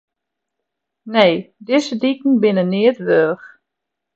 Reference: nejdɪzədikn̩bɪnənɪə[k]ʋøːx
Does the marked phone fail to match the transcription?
yes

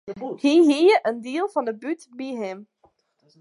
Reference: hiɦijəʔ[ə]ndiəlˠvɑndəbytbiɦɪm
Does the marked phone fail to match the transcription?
no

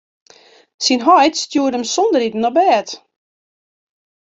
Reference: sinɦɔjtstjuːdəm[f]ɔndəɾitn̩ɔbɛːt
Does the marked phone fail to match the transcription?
yes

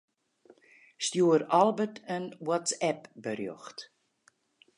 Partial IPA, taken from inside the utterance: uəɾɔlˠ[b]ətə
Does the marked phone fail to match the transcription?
no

